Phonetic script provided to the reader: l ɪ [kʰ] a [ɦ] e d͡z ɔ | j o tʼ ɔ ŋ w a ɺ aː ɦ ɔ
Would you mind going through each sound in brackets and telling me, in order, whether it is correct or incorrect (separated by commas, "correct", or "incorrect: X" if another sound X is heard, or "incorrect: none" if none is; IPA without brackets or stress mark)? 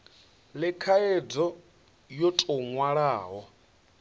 correct, incorrect: none